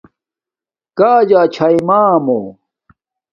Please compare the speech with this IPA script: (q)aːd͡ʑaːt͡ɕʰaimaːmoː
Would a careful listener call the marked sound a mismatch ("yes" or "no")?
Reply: yes